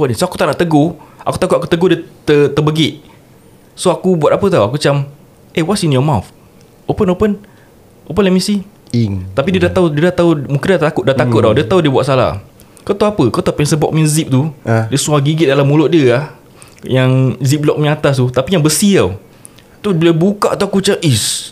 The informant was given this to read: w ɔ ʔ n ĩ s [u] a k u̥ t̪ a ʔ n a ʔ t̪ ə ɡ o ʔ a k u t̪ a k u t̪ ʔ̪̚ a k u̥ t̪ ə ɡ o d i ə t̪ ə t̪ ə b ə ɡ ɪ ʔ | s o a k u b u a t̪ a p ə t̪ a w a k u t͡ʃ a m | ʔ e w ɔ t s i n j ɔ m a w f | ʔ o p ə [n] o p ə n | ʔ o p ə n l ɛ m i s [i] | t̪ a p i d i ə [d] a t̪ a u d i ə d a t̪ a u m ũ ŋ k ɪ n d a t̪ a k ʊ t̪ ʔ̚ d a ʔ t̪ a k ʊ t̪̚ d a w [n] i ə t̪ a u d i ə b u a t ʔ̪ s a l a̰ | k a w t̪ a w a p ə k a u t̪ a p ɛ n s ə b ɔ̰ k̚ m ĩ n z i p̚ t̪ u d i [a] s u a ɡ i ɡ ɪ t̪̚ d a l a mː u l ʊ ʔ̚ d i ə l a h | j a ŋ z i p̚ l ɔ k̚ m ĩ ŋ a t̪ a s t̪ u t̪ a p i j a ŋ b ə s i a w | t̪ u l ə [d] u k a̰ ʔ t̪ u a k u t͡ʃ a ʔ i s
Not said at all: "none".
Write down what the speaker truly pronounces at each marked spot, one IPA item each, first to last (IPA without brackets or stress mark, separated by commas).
o, n, i, d, d, ə, b